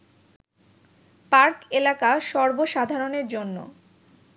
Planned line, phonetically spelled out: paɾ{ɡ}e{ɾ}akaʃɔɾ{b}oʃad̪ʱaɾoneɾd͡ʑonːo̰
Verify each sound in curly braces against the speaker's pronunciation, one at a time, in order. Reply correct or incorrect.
incorrect, incorrect, correct

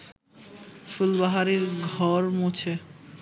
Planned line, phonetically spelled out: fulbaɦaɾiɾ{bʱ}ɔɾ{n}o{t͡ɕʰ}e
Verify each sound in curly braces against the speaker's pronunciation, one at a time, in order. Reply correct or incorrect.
incorrect, incorrect, correct

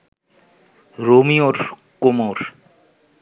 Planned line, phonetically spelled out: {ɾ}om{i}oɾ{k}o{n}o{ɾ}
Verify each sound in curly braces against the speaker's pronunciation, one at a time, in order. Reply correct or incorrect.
correct, correct, correct, incorrect, correct

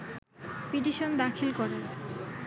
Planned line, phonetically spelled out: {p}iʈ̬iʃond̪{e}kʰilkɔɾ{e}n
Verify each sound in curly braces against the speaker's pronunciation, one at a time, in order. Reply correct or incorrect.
correct, incorrect, correct

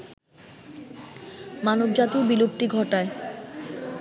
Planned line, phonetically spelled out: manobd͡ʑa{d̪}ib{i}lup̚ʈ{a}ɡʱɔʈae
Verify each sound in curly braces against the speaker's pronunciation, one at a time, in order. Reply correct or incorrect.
incorrect, correct, incorrect

